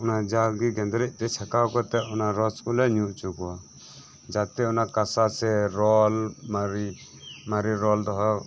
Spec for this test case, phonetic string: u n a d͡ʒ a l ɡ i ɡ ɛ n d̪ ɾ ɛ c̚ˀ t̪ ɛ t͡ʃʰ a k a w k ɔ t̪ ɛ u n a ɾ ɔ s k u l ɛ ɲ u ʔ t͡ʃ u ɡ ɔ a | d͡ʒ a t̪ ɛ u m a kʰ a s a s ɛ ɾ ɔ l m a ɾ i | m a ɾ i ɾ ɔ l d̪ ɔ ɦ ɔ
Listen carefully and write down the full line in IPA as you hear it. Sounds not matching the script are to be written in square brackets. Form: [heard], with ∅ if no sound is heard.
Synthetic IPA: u n a d͡ʒ a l ɡ i ɡ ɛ n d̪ ɾ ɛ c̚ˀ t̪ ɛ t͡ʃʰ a k a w k ɔ t̪ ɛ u n a ɾ ɔ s k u l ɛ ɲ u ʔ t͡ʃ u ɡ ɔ a | d͡ʒ a t̪ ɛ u [n] a [k] a s a s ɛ ɾ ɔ l m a ɾ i | m a ɾ i ɾ ɔ l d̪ ɔ ɦ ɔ